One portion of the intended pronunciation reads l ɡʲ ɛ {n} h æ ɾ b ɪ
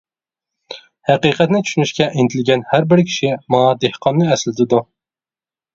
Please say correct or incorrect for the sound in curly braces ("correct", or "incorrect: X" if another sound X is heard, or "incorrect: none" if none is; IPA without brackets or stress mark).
correct